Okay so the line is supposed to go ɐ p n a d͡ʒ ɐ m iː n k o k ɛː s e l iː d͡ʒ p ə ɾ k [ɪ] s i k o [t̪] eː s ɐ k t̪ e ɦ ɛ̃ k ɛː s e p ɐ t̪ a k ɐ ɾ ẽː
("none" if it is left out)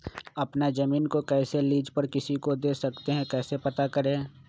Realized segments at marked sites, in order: ɪ, d̪

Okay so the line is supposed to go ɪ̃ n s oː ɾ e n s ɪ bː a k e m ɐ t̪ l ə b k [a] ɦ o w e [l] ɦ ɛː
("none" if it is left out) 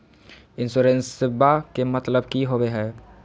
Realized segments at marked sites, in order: i, none

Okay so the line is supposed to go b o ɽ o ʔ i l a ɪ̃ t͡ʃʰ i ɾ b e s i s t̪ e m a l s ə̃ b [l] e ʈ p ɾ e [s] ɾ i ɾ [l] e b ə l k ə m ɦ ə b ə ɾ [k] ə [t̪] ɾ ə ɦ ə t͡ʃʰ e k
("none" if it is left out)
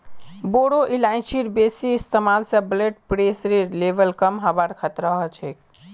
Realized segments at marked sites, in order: l, s, l, kʰ, t̪

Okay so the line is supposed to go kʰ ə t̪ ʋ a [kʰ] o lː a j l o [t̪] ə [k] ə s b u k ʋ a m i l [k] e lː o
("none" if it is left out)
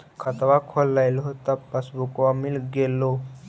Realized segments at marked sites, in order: kʰ, t̪, p, ɡ

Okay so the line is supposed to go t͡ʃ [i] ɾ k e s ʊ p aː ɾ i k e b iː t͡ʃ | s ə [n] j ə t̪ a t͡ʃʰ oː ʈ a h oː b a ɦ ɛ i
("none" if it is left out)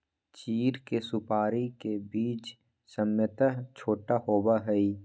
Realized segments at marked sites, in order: iː, m

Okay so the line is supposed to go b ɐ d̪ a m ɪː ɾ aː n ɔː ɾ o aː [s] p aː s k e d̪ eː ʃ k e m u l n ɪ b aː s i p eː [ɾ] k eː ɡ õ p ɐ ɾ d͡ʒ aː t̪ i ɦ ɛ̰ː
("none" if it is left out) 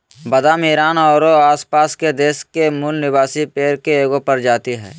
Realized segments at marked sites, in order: s, ɾ

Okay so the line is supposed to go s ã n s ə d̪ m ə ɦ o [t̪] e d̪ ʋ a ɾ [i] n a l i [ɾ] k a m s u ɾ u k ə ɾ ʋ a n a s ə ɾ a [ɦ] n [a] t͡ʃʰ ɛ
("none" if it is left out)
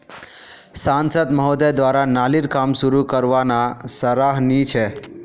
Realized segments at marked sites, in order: d̪, a, ɾ, ɦ, i

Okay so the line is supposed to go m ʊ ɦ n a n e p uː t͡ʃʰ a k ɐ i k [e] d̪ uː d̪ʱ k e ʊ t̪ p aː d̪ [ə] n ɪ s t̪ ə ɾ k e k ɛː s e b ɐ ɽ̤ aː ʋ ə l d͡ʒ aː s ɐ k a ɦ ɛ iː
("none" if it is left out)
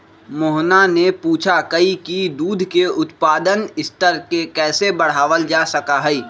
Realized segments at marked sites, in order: i, ə

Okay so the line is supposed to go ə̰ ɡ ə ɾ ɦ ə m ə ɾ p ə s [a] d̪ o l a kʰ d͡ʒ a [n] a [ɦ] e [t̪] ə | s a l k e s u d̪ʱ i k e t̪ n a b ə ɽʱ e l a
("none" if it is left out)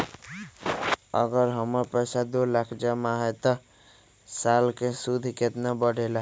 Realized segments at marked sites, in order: a, m, ɦ, t̪

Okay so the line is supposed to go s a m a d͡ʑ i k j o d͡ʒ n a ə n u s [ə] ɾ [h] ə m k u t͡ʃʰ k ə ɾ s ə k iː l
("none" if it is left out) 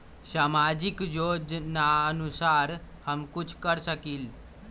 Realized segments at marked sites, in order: a, h

